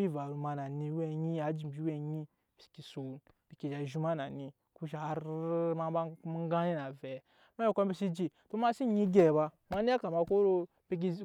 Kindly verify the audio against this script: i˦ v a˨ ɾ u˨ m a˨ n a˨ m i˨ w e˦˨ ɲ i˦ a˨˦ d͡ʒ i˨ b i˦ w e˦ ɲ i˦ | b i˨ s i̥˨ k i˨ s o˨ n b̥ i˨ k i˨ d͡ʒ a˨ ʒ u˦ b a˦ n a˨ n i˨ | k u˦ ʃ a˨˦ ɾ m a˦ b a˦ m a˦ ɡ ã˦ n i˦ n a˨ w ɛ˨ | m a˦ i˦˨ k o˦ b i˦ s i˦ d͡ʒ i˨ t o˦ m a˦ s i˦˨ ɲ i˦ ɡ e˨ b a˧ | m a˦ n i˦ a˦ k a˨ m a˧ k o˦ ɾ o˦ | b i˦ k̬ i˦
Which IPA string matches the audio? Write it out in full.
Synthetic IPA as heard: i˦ v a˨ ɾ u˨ m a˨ n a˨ n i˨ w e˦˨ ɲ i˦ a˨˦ d͡ʒ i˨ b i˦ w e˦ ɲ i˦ | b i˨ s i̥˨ k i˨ s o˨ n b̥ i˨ k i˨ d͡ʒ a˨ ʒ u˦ m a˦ n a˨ n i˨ | k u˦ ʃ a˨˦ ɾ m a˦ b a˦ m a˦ ɡ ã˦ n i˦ n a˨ v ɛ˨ | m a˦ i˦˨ k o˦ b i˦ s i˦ d͡ʒ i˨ t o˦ m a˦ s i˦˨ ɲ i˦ ɡ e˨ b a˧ | m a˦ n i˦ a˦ k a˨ m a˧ k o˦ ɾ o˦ | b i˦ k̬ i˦